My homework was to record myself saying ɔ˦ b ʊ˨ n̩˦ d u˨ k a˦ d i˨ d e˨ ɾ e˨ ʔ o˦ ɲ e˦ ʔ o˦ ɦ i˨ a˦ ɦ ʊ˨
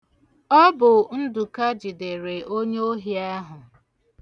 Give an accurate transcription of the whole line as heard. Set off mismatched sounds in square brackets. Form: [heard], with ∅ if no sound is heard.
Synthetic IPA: ɔ˦ b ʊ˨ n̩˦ d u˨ k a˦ [d͡ʒ] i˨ d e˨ ɾ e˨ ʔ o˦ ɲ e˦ [∅] o˦ ɦ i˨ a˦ ɦ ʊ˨

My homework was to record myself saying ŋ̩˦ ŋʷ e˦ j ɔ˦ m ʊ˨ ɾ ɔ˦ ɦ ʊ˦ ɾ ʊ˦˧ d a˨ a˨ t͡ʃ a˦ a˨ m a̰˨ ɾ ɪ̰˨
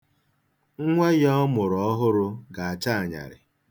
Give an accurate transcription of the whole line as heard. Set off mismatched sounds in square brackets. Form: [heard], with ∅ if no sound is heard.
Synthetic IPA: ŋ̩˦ ŋʷ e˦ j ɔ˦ m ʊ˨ ɾ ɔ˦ ɦ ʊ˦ ɾ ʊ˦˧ [ɡ] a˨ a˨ t͡ʃ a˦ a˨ [ɲ] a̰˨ ɾ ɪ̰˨

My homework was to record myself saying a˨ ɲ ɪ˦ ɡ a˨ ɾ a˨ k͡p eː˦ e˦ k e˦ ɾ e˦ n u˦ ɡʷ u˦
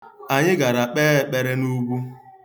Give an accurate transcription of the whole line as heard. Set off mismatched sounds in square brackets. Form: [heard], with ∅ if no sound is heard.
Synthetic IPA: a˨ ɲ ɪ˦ ɡ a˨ ɾ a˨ k͡p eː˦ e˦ [k͡p] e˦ ɾ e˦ n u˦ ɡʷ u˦

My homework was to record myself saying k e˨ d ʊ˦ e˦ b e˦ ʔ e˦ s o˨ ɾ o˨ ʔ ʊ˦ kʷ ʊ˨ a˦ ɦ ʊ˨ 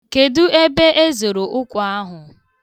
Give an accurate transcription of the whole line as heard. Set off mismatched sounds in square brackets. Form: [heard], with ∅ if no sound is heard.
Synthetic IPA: k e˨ d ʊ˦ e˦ b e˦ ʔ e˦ [z] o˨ ɾ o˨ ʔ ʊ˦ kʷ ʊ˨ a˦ ɦ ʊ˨

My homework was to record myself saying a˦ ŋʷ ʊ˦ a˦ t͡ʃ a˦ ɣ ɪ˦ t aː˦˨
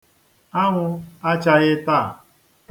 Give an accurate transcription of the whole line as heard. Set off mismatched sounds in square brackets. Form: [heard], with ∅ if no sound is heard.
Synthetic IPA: a˦ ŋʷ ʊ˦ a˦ t͡ʃ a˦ ɣ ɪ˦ t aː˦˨

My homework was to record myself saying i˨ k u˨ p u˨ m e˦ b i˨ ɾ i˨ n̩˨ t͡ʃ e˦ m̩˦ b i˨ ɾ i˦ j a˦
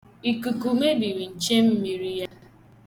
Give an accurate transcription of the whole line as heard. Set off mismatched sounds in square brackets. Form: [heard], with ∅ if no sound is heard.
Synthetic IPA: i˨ k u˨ [k] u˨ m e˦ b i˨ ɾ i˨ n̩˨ t͡ʃ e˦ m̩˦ [m] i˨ ɾ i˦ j a˦

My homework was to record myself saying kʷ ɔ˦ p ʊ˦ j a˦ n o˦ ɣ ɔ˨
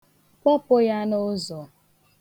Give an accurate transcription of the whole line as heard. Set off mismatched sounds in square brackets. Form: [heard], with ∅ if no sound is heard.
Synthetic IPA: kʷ ɔ˦ p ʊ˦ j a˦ n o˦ [z] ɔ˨

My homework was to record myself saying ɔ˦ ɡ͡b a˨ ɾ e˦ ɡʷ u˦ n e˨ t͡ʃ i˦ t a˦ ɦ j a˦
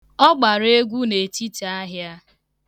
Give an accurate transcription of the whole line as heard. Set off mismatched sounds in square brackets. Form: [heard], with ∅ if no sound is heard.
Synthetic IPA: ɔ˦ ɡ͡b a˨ ɾ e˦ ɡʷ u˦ n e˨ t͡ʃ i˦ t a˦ ɦ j a˦

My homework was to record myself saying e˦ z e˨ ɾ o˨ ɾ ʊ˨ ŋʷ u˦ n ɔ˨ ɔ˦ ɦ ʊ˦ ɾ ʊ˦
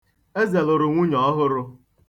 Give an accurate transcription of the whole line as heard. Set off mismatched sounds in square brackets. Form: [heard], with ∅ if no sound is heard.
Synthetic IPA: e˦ z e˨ [l] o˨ ɾ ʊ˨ ŋʷ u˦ [ɲ] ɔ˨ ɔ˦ ɦ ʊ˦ ɾ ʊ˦

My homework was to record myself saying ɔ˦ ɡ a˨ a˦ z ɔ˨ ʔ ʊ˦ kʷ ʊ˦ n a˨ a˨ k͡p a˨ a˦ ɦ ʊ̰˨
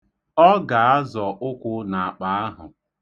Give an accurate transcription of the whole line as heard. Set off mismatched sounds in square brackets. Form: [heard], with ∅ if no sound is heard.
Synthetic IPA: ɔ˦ ɡ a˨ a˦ z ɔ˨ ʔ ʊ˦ kʷ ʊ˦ n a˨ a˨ k͡p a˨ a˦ ɦ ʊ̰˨

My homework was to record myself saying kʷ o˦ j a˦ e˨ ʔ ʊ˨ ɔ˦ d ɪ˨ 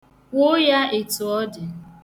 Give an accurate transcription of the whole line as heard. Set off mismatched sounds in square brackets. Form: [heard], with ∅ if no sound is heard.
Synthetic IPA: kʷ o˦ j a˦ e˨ [t] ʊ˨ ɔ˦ d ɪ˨

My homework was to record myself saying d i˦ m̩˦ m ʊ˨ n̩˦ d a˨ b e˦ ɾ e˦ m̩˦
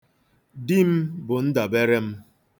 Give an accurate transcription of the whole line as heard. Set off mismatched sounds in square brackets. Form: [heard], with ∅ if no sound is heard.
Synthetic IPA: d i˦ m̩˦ [b] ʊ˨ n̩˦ d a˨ b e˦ ɾ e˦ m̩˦

